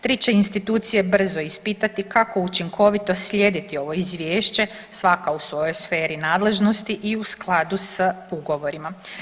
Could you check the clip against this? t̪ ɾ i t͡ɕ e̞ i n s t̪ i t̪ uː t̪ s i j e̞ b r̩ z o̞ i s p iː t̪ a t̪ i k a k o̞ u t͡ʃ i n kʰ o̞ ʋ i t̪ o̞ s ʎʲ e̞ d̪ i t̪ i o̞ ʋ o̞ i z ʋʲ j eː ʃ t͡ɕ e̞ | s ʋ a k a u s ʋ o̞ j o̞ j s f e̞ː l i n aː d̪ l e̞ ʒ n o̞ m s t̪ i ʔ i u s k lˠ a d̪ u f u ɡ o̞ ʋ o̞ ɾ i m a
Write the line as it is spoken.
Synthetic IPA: t̪ ɾ i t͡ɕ e̞ i n s t̪ i t̪ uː t̪ s i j e̞ b r̩ z o̞ i s p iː t̪ a t̪ i k a k o̞ u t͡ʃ i ŋ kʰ o̞ ʋ i t̪ o̞ s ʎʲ e̞ d̪ i t̪ i o̞ ʋ o̞ i z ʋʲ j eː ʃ t͡ɕ e̞ | s ʋ a k a u s ʋ o̞ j o̞ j s f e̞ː ɾ i n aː d̪ l e̞ ʒ n o̞ s t̪ i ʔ i u s k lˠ a d̪ u s u ɡ o̞ ʋ o̞ ɾ i m a